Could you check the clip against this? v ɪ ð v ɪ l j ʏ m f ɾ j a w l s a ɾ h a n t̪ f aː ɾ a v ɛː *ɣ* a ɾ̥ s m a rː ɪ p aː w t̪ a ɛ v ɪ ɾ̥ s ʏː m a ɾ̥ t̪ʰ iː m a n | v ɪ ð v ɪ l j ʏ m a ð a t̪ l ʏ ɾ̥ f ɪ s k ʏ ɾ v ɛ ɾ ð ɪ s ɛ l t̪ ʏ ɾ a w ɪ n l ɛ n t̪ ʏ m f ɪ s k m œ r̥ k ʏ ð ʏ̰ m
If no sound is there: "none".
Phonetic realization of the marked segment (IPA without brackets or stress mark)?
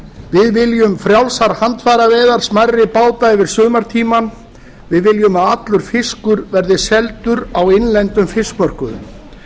ð